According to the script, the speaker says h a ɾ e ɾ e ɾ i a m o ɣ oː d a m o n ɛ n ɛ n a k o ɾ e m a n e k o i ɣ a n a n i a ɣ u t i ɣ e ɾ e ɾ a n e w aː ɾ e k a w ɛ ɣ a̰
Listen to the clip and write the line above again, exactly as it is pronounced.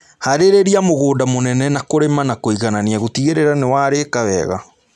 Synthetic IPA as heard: h a ɾ e ɾ e ɾ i a m o ɣ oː d a m o n ɛ n ɛ n a k o ɾ e m a n a k o i ɣ a n a n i a ɣ o t i ɣ e ɾ e ɾ a n e w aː ɾ e k a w ɛ ɣ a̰